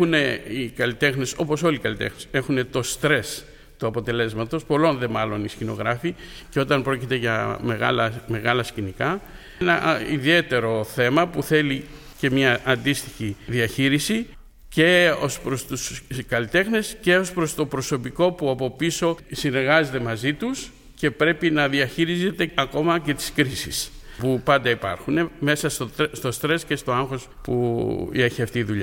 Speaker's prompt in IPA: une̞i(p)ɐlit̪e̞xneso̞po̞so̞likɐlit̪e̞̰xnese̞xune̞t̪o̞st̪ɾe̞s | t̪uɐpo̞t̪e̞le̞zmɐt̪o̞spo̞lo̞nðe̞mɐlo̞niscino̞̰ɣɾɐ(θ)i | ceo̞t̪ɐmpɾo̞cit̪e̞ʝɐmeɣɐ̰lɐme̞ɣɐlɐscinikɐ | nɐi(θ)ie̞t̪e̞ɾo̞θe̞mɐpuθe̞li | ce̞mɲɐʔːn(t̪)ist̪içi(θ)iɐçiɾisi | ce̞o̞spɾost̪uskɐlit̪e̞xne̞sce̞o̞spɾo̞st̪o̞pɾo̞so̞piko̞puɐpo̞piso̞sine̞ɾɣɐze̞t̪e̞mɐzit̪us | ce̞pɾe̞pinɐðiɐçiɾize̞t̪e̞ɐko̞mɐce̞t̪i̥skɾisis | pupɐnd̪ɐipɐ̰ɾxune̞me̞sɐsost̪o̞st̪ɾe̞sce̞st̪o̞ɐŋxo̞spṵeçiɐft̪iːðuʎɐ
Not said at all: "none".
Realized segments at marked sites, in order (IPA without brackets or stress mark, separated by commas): k, f, ð, d̪, ð